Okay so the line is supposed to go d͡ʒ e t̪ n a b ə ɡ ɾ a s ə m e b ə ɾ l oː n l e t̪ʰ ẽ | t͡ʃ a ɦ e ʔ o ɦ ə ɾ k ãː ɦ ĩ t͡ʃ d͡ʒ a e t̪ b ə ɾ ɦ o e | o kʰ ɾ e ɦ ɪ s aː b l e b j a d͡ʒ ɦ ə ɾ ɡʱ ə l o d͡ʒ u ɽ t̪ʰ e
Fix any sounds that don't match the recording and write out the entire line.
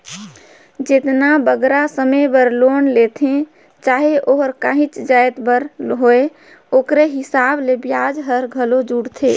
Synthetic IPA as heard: d͡ʒ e t̪ n a b ə ɡ ɾ a s ə m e b ə ɾ l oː n l e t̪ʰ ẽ | t͡ʃ a ɦ e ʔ o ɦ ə ɾ k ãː ɦ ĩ t͡ʃ d͡ʒ a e t̪ b ə ɾ ɦ o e | o k ɾ e ɦ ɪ s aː b l e b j a d͡ʒ ɦ ə ɾ ɡʱ ə l o d͡ʒ u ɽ t̪ʰ e